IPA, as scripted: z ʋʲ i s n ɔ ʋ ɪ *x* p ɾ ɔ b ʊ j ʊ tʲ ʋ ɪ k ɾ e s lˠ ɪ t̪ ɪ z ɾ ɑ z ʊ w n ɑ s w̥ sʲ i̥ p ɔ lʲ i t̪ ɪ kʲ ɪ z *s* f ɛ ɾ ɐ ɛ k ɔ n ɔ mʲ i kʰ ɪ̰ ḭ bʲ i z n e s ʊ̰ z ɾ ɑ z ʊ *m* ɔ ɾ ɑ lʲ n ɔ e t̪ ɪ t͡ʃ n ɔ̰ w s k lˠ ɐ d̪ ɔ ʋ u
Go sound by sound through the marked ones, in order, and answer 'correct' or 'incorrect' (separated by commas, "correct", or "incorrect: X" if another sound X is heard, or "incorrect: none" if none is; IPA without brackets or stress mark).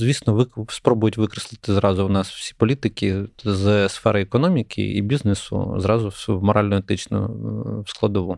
incorrect: s, correct, correct